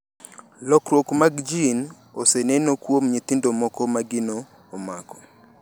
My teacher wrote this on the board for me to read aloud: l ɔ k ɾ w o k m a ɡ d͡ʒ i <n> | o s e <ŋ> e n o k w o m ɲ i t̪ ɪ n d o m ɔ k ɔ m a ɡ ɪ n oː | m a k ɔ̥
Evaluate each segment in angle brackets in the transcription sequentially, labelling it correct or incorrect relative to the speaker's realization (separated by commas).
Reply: correct, incorrect